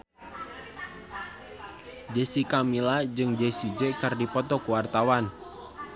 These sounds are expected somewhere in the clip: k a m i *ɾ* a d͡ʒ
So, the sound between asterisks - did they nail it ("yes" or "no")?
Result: no